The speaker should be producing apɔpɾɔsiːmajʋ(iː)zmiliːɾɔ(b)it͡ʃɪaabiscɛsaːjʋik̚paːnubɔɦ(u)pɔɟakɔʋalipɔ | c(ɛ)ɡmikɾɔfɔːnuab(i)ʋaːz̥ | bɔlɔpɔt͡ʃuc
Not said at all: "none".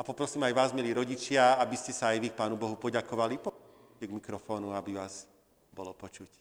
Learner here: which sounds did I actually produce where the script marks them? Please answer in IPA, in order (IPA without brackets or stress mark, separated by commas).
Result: aː, ɟ, u, ɛ, i